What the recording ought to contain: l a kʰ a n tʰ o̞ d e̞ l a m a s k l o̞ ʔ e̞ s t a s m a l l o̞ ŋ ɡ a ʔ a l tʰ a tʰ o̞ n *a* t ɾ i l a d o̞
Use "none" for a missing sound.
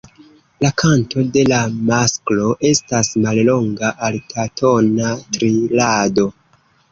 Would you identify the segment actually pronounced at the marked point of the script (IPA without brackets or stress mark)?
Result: a